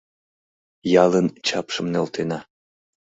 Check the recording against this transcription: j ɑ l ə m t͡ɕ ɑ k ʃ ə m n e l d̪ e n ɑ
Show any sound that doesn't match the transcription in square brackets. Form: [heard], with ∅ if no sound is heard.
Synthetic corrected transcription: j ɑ l ə [n] t͡ɕ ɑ [p] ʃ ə m n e l [t̪] e n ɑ